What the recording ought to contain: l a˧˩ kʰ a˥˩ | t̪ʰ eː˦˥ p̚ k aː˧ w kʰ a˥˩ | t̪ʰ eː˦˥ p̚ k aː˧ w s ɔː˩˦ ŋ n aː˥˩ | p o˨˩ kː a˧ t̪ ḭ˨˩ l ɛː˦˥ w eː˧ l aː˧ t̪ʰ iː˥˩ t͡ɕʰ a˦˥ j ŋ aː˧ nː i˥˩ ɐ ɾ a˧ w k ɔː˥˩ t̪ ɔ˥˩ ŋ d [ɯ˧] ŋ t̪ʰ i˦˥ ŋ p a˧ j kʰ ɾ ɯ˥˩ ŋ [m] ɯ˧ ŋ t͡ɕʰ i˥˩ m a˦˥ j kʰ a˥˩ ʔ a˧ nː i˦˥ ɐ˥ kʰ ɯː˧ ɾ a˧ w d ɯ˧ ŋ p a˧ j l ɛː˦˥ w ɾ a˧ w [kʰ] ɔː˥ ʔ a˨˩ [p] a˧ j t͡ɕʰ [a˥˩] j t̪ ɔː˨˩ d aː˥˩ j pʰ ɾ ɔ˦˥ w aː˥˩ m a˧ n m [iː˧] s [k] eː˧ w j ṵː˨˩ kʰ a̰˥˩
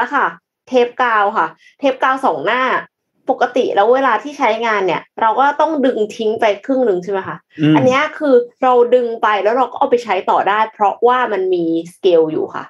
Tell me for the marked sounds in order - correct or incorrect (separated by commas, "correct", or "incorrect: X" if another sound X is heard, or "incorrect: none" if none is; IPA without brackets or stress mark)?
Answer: correct, incorrect: n, incorrect: k, correct, incorrect: a˦˥, correct, correct